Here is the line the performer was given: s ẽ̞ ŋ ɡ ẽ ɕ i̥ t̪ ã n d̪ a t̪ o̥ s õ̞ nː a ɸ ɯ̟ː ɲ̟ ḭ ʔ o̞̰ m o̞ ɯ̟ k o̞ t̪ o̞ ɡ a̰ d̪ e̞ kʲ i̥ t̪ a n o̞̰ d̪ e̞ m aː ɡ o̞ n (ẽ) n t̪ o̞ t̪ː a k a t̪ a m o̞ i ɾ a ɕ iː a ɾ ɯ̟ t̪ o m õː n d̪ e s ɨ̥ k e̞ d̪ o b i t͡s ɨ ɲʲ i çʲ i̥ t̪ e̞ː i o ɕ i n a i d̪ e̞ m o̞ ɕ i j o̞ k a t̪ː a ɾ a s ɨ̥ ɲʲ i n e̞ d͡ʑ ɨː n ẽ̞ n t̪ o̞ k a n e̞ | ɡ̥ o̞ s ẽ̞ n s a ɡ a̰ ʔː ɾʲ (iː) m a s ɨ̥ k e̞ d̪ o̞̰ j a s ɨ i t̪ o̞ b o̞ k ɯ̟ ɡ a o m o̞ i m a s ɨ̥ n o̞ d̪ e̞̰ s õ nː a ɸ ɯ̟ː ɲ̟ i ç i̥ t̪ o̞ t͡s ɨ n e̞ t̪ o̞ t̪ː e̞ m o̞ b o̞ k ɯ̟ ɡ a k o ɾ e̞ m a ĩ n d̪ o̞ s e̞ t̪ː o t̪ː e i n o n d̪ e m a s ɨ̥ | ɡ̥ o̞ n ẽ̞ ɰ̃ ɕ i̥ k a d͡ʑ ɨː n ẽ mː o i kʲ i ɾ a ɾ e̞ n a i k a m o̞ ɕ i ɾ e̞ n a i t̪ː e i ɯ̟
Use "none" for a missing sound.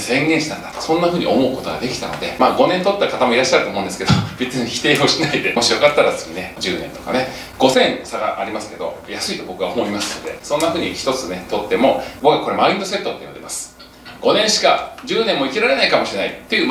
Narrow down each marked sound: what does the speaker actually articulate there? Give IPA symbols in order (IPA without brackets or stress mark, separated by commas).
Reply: ẽ, i